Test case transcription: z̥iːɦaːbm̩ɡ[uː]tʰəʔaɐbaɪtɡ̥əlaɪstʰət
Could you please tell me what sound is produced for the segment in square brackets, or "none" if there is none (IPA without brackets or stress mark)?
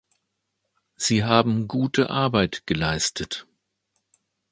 uː